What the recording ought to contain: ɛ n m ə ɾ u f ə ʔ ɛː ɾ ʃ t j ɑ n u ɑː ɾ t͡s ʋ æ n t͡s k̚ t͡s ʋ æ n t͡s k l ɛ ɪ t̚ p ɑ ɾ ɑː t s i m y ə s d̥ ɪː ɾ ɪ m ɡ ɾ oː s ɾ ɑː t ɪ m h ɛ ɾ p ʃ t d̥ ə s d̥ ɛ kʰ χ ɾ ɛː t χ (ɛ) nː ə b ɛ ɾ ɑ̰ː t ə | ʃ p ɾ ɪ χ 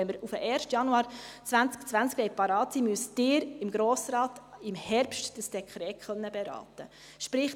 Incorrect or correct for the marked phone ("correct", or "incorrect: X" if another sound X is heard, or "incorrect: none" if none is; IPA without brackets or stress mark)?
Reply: incorrect: œ